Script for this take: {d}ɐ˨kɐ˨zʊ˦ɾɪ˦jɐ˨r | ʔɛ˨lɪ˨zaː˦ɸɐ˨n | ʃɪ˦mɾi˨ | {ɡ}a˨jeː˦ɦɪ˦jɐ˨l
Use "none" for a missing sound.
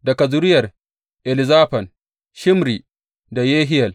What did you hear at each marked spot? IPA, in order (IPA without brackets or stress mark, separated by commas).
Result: d, d